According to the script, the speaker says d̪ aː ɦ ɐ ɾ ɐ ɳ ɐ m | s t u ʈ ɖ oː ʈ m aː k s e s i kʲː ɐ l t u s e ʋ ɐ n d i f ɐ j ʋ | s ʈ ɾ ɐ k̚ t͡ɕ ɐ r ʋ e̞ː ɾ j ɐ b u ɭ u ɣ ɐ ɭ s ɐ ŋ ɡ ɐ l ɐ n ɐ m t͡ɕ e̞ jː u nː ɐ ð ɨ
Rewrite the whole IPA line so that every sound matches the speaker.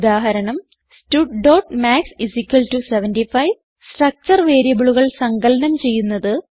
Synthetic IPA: d̪ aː ɦ ɐ ɾ ɐ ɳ ɐ m | s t u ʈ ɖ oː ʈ m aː k s i s i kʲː ɐ l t u s e ʋ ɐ n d i f ɐ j ʋ | s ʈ r ɐ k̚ t͡ɕ ɐ r ʋ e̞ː ɾ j ɐ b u ɭ u ɣ ɐ ɭ s ɐ ŋ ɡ ɐ l ɐ n ɐ m t͡ɕ e̞ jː u nː ɐ ð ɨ